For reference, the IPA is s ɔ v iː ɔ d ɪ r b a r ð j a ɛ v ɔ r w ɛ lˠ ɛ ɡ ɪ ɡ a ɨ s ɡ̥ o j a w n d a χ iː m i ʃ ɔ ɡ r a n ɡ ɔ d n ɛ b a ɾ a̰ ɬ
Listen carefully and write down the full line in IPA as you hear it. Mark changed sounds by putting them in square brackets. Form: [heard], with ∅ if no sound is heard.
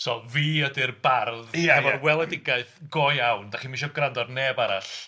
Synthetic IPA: s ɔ v iː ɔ d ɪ r b a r ð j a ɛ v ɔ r w ɛ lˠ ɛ [d] ɪ ɡ a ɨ [θ] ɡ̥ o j a w n d a χ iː m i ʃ ɔ ɡ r a n [d] ɔ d n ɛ b a ɾ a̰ ɬ